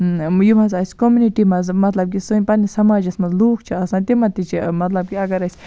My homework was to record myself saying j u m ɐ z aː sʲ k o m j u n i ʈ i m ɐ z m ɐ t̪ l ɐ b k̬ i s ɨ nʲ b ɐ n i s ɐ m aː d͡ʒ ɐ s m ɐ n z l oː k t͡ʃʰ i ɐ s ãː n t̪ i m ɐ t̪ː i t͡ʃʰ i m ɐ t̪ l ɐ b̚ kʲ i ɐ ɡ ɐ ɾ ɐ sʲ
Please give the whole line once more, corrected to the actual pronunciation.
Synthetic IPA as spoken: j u m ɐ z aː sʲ k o m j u n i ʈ i m ɐ z m ɐ t̪ l ɐ b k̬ i s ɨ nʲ p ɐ n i s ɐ m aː d͡ʒ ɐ s m ɐ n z l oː k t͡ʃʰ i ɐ s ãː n t̪ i m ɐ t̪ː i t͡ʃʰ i m ɐ t̪ l ɐ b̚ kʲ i ɐ ɡ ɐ ɾ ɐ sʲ